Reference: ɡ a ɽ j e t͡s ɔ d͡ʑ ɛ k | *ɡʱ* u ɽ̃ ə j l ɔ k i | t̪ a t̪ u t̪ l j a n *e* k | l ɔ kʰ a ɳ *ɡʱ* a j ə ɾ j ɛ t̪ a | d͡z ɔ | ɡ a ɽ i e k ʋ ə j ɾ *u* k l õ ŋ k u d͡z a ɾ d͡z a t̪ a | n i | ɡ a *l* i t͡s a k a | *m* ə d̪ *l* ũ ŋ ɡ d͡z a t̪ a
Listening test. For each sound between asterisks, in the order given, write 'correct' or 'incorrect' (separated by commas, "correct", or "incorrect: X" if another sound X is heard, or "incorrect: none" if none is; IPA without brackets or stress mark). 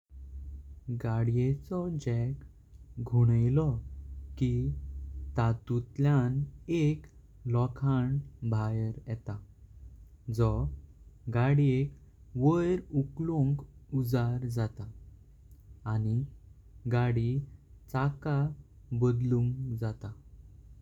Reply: correct, correct, incorrect: bʱ, correct, incorrect: ɽ, incorrect: b, correct